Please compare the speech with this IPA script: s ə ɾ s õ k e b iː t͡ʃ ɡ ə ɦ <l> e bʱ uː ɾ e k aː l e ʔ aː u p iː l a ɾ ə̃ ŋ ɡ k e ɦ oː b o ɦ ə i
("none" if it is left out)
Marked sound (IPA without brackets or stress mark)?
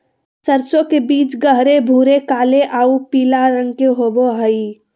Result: ɾ